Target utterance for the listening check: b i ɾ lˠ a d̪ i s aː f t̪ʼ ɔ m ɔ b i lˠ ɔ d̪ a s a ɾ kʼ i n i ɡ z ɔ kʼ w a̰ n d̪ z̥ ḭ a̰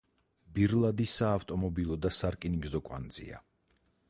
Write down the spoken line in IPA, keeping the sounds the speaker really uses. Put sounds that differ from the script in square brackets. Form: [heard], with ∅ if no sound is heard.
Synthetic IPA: b i ɾ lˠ a d̪ i s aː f t̪ʼ ɔ m ɔ b i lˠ ɔ d̪ a s a ɾ kʼ i n i ɡ z ɔ kʼ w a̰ n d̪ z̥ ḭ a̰